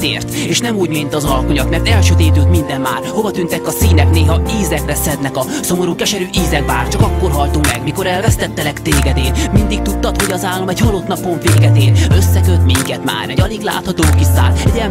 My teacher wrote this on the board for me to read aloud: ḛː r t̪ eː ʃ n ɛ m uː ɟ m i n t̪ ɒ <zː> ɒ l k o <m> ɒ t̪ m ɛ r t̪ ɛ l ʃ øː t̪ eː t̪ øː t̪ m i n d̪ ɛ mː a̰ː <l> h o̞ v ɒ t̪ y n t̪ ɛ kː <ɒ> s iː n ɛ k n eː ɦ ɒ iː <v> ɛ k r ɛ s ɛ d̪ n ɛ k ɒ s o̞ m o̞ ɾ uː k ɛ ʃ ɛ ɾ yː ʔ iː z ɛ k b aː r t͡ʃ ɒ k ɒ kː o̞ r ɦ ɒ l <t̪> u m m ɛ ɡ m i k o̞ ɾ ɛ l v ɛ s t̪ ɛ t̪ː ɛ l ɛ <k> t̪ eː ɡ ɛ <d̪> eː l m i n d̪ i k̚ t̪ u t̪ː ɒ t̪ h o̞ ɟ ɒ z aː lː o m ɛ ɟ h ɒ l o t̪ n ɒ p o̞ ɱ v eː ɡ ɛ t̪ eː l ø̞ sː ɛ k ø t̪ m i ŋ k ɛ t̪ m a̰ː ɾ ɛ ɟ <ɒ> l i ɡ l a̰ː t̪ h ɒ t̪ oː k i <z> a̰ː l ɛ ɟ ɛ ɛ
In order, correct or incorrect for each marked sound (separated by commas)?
incorrect, incorrect, incorrect, correct, incorrect, correct, correct, correct, correct, incorrect